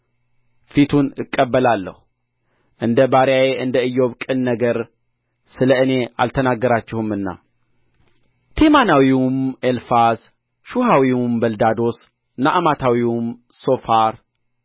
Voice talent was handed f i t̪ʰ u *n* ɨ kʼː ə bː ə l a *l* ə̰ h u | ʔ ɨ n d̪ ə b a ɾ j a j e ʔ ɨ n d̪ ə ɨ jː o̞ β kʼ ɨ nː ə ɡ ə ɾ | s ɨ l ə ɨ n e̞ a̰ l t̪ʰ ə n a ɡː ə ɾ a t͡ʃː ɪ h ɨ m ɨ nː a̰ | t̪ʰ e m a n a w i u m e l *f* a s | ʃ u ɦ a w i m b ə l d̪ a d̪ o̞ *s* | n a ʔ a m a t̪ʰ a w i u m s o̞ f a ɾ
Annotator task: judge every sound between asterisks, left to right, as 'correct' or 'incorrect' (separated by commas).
correct, incorrect, correct, correct